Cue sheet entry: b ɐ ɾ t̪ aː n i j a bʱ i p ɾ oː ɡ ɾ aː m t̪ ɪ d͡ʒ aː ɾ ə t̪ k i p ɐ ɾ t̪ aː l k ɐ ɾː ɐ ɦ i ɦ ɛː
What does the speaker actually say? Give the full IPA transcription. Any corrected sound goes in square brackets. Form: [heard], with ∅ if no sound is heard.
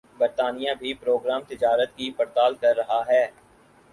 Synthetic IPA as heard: b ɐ ɾ t̪ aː n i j a bʱ i p ɾ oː ɡ ɾ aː m t̪ ɪ d͡ʒ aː ɾ ə t̪ k i p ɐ ɾ t̪ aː l k ɐ ɾː ɐ ɦ [a] ɦ ɛː